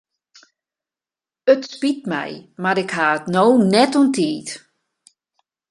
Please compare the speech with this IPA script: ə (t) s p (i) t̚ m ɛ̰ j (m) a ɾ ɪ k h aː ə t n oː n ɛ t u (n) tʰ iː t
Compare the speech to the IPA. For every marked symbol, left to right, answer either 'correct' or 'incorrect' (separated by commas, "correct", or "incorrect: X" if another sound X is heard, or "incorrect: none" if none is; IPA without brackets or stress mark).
correct, correct, correct, correct